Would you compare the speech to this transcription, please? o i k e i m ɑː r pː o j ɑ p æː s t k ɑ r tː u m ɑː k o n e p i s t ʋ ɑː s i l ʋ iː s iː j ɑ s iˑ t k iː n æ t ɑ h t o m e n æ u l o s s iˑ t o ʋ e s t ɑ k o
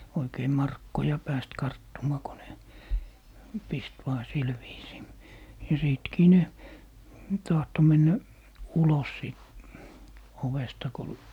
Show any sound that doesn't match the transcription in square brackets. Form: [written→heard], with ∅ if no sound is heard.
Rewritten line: o i k e i m [ɑː→ɑ] r [pː→kː] o j ɑ p æː s t k ɑ r tː u m ɑː k o n e p i s t ʋ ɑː s i l ʋ iː s iː j ɑ s iˑ t k iː n [æ→e] t ɑ h t o m e [n→nː] æ u l o s s iˑ t o ʋ e s t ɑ k o